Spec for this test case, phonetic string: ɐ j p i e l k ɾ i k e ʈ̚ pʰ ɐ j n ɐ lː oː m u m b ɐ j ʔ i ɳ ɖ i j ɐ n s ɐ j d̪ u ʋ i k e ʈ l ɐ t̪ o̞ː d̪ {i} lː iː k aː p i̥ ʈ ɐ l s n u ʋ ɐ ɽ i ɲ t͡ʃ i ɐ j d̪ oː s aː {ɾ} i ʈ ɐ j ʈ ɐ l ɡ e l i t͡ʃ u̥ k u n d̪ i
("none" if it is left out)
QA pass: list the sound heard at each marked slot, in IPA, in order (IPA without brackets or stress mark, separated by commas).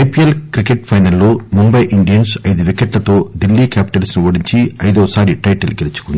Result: i, ɾ